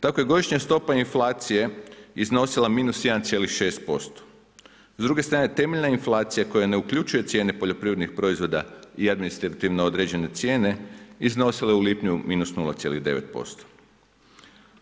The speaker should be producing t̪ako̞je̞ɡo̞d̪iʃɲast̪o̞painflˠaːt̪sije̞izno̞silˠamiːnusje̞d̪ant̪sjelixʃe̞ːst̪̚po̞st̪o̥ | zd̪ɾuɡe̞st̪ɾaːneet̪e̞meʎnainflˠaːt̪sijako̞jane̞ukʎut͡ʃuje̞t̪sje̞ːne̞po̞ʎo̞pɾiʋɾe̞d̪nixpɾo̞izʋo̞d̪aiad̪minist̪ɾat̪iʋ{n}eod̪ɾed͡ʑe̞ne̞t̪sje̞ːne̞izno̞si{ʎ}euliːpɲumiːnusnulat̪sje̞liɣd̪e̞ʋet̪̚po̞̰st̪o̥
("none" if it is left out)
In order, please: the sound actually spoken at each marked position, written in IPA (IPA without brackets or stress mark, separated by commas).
n, l